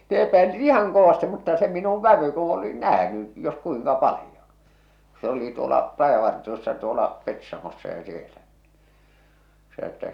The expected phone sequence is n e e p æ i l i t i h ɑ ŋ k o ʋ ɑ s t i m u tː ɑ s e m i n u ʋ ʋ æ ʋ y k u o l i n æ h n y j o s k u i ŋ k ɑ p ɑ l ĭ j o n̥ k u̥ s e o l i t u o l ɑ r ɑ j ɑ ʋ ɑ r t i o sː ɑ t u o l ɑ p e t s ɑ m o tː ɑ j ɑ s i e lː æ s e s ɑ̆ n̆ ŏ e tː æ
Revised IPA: n e e p æ i l i t i h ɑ ŋ k o ʋ ɑ s t i m u tː ɑ s e m i n u ʋ ʋ æ ʋ y k u o l i n æ h n y j o s k u i ŋ k ɑ p ɑ l ĭ j o n̥ k u̥ s e o l i t u o l ɑ r ɑ j ɑ ʋ ɑ r t i o sː ɑ t u o l ɑ p e t s ɑ m o sː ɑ j ɑ s i e l æ s e s ɑ̆ n̆ ŏ e tː æ